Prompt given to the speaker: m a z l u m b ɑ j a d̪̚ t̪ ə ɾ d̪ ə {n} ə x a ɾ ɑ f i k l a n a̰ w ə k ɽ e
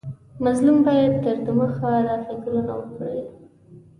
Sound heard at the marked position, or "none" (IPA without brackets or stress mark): m